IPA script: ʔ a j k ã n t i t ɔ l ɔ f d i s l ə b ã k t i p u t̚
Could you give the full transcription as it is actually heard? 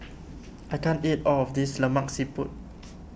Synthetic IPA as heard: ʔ a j k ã n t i t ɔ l ɔ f d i s l ə m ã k s i p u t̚